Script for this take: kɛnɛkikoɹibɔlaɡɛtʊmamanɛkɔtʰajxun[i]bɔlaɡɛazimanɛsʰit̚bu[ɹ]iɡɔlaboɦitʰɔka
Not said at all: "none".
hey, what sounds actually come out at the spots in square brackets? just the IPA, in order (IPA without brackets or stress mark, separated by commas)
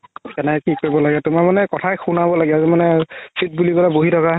a, l